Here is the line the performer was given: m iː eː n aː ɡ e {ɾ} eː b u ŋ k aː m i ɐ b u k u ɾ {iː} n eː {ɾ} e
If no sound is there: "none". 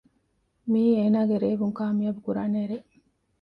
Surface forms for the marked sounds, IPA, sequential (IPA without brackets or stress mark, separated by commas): ɾ, aː, ɾ